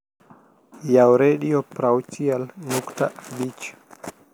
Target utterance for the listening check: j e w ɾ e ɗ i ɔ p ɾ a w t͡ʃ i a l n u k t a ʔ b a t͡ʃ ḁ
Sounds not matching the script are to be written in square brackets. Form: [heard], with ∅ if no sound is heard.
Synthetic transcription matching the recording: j [a] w ɾ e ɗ i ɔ p ɾ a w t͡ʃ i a l n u k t a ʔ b [i] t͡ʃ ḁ